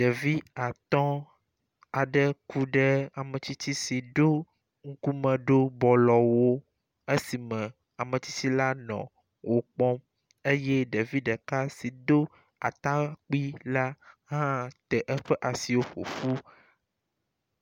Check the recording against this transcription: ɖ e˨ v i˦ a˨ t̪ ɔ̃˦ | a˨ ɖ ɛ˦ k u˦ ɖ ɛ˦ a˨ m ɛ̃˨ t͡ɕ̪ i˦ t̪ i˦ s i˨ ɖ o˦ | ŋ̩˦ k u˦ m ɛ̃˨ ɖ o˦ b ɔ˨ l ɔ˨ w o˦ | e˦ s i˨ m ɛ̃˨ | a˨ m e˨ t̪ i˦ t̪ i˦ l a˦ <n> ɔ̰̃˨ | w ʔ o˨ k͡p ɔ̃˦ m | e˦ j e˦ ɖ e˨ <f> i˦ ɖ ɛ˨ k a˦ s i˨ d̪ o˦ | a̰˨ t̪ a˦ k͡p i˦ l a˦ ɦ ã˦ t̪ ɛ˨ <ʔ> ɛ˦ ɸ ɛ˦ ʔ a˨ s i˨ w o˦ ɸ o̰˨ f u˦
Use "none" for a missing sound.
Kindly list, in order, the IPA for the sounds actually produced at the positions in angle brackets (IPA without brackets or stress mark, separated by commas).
n, v, ʔ